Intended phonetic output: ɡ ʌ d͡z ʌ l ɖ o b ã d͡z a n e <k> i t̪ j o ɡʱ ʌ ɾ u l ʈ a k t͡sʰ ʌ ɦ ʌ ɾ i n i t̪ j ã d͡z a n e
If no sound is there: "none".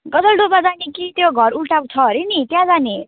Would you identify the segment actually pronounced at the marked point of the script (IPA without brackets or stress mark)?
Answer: k